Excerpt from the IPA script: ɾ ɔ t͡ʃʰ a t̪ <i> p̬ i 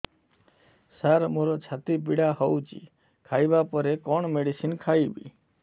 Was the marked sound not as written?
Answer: no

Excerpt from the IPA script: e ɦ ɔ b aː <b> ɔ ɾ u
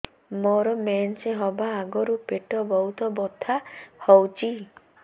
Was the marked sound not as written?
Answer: yes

